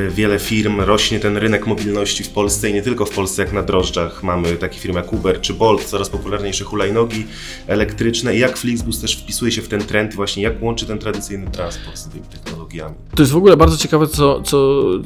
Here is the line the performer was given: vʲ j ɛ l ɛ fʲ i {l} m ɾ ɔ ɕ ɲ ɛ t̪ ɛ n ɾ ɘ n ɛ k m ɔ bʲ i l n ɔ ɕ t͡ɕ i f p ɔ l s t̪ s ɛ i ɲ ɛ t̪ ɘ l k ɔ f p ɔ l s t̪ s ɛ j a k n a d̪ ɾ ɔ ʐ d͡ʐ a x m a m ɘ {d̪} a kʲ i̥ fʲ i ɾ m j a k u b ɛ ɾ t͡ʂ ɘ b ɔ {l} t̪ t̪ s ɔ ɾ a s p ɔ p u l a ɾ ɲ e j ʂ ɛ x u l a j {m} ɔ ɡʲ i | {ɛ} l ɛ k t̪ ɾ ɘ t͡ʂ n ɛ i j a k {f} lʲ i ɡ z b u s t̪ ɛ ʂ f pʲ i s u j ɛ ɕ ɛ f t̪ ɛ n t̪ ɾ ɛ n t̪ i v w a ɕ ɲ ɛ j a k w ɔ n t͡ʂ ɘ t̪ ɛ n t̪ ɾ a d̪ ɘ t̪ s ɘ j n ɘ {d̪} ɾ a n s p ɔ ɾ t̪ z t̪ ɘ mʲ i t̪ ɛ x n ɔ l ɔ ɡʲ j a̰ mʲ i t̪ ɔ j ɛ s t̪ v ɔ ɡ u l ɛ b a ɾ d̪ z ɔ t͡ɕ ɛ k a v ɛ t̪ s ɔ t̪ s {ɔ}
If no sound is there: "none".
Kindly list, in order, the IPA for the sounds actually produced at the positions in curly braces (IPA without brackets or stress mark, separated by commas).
ɾ, t̪, l, n, ɛ, f, t̪, ɔ